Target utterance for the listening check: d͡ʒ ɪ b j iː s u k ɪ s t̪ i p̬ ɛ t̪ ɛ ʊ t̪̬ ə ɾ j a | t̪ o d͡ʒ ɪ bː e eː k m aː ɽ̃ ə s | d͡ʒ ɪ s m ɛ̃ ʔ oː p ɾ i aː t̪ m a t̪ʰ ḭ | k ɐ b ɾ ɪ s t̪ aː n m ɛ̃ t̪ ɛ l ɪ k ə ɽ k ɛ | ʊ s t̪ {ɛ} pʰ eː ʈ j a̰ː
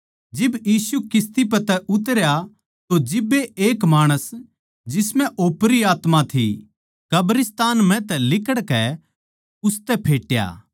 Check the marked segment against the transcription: correct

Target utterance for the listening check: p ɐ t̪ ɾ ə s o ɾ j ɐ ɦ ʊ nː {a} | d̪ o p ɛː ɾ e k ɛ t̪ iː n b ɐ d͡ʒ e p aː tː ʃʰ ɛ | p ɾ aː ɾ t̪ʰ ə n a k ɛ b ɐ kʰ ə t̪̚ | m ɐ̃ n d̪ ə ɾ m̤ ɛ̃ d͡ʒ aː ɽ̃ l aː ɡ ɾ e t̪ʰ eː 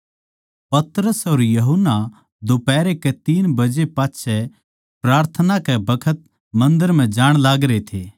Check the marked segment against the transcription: correct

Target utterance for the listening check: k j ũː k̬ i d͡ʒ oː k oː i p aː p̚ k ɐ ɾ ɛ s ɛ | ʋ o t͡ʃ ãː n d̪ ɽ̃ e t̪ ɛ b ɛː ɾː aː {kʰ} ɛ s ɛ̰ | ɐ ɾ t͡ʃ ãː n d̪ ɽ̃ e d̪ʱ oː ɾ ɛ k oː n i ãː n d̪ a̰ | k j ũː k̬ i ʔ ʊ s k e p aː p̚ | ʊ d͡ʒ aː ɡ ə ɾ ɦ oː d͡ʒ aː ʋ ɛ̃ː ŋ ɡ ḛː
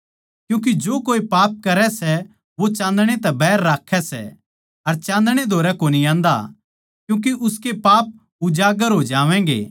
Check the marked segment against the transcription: correct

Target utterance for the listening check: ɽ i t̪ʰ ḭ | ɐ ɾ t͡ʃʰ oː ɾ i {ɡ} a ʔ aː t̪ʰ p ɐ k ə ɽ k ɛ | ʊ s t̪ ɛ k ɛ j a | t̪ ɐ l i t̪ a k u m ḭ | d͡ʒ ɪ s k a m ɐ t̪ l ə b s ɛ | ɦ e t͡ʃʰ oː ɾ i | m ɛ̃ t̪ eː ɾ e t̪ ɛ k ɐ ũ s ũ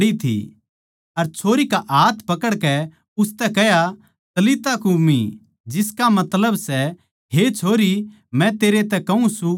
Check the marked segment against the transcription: incorrect: k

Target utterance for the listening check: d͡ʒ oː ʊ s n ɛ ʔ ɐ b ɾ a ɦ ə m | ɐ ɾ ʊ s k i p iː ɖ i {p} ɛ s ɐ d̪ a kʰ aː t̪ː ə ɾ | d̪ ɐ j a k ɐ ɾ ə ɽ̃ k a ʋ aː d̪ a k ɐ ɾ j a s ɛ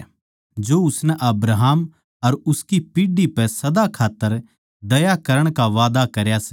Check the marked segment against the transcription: correct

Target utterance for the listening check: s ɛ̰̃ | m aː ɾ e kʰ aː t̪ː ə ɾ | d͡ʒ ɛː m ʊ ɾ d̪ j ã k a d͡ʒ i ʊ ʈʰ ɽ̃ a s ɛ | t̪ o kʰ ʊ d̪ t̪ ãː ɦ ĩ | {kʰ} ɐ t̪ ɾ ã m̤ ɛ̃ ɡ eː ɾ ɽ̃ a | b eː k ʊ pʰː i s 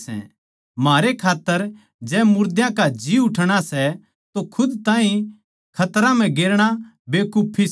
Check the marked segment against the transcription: correct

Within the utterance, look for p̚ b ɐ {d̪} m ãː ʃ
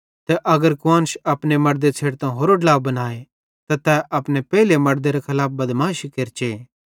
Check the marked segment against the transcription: correct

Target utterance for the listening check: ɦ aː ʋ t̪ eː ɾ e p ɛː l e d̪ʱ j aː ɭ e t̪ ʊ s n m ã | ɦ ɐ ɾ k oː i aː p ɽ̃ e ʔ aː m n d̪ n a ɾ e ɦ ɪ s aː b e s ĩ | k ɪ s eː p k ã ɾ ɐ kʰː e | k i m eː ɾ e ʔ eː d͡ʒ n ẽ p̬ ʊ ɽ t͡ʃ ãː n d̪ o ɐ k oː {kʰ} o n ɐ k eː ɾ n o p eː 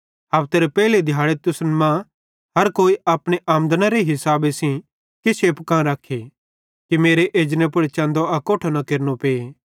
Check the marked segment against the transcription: incorrect: ʈʰ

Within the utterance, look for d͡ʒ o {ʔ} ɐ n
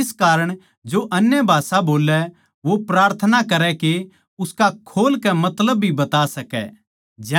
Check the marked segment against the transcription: correct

